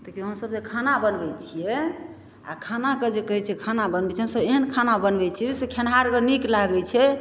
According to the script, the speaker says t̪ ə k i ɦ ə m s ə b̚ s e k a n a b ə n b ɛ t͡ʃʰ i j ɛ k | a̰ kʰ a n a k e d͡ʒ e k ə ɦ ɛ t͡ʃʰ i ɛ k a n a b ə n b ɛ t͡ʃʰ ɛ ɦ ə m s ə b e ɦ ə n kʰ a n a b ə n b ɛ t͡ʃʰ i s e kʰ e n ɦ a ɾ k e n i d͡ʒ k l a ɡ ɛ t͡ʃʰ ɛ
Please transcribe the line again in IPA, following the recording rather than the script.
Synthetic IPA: t̪ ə k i ɦ ə m s ə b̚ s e kʰ a n a b ə n b ɛ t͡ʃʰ i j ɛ | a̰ kʰ a n a k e d͡ʒ e k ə ɦ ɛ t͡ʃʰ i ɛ kʰ a n a b ə n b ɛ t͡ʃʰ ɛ ɦ ə m s ə b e ɦ ə n kʰ a n a b ə n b ɛ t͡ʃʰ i s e kʰ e n ɦ a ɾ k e n i k l a ɡ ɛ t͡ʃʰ ɛ